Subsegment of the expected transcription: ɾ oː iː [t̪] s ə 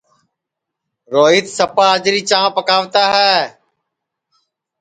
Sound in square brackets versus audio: correct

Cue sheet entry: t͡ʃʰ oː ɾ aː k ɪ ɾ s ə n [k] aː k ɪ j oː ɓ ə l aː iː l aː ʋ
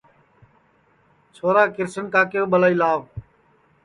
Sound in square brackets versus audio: correct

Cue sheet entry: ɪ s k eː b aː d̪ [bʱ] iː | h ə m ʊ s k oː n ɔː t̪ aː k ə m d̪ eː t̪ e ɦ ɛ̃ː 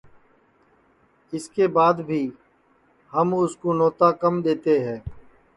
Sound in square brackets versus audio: correct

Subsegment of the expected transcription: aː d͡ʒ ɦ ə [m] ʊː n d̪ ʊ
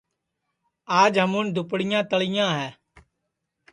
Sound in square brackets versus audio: correct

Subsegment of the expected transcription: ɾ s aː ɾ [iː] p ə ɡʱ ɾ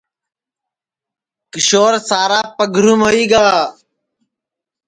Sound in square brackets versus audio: incorrect: aː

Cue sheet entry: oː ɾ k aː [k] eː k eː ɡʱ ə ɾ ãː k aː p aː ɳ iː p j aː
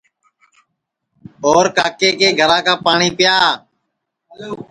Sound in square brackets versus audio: correct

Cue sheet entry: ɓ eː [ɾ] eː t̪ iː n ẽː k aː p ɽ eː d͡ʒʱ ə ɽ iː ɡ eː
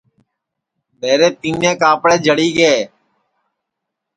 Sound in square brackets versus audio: correct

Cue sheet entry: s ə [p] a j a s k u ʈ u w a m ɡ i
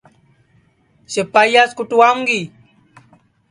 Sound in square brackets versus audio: correct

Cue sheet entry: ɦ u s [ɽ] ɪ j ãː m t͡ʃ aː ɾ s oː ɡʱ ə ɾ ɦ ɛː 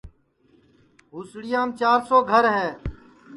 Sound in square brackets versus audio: correct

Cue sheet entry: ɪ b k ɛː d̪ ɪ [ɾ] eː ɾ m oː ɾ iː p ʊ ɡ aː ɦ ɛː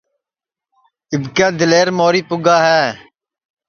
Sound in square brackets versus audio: incorrect: l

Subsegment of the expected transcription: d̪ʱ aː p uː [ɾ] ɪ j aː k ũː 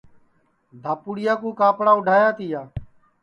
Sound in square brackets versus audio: incorrect: ɽ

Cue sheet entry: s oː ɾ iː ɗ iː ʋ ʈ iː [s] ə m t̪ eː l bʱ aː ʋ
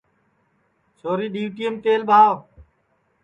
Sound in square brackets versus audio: incorrect: none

